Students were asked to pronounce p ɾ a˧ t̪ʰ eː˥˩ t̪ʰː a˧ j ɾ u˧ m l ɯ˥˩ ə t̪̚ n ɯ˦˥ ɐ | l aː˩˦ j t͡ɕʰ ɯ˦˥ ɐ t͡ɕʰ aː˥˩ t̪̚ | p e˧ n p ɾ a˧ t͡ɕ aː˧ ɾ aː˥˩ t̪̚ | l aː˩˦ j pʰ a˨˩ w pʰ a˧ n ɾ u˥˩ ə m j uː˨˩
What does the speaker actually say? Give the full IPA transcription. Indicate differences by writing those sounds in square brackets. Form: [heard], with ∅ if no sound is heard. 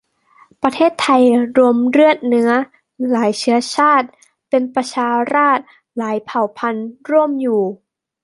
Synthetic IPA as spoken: p ɾ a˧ t̪ʰ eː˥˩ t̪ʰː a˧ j ɾ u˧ m [ɾ] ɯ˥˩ ə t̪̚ n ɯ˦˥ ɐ | l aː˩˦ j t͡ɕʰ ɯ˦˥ ɐ t͡ɕʰ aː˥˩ t̪̚ | p e˧ n p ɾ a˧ [t͡ɕʰ] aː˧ ɾ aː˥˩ t̪̚ | l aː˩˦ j pʰ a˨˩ w pʰ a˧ n ɾ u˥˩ ə m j uː˨˩